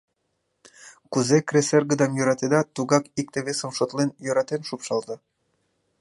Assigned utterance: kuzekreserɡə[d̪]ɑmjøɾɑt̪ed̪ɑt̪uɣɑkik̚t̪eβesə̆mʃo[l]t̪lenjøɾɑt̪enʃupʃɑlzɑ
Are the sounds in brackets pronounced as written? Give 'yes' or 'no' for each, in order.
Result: yes, no

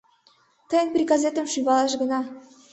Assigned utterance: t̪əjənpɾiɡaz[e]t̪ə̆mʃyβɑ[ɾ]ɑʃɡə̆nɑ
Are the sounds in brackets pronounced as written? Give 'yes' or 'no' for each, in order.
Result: yes, no

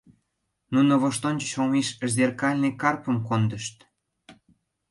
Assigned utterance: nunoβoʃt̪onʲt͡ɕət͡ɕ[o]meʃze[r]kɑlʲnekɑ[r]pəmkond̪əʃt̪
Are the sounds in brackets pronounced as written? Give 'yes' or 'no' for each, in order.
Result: yes, yes, yes

